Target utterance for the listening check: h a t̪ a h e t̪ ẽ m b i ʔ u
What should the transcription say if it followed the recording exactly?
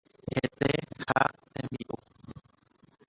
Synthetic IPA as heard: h e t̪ e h a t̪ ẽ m b i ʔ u